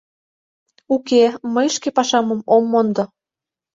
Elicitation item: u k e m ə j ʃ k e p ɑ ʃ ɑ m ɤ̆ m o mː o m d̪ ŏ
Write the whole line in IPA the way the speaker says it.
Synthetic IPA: u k e m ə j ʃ k e p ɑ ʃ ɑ m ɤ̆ m o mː o n d̪ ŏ